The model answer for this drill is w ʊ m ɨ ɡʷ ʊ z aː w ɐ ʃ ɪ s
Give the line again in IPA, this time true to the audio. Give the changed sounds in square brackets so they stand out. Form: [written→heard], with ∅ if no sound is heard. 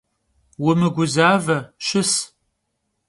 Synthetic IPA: w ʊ m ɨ ɡʷ ʊ z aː [w→v] ɐ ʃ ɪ s